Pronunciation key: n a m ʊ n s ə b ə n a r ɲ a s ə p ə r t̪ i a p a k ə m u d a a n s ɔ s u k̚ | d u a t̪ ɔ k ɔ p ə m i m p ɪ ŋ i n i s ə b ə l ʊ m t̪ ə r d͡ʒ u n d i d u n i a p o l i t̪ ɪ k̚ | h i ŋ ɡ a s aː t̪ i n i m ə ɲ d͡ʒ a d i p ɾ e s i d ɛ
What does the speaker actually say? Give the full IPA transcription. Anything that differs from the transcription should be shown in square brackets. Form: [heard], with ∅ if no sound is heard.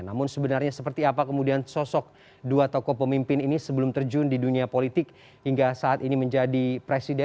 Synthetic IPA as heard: n a m ʊ n s ə b ə n a r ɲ a s ə p ə r t̪ i a p a k ə m u d [i] a n s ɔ s [ɔ] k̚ | d u a t̪ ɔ k ɔ p ə m i m p ɪ [n] i n i s ə b ə l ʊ m t̪ ə r d͡ʒ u n d i d u n i a p o l i t̪ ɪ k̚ | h i ŋ ɡ a s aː t̪ i n i m ə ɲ d͡ʒ a d i p ɾ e s i d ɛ